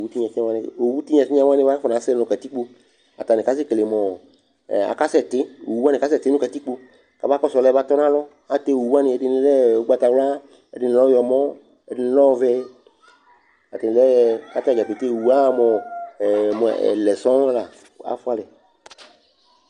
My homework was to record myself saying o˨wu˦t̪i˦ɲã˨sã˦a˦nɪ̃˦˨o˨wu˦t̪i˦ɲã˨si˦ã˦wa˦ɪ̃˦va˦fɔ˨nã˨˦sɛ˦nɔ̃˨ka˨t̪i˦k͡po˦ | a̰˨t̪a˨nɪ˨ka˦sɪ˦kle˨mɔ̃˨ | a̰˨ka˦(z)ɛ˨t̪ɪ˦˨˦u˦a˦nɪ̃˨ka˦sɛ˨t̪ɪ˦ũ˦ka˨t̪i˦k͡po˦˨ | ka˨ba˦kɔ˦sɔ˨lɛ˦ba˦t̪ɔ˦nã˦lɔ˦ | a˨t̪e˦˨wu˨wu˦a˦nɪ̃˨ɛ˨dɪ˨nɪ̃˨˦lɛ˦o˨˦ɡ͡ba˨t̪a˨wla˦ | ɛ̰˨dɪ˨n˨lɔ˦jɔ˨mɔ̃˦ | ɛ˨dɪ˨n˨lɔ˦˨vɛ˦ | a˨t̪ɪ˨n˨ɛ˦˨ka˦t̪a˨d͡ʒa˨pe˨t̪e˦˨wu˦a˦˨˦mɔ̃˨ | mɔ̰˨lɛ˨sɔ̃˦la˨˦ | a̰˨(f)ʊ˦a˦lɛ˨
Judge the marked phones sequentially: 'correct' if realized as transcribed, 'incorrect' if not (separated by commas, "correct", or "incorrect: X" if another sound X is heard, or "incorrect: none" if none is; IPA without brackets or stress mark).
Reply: incorrect: s, correct